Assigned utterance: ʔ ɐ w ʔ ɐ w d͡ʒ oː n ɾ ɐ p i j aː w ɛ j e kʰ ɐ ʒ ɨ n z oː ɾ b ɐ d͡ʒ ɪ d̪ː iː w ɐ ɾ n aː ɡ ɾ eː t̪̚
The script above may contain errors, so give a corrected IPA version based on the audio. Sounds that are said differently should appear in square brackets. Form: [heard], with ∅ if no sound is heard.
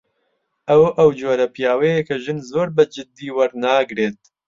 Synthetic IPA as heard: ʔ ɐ w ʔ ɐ w d͡ʒ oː [∅] ɾ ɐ p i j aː w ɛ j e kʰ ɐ ʒ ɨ n z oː ɾ b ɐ d͡ʒ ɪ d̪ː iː w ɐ ɾ n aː ɡ ɾ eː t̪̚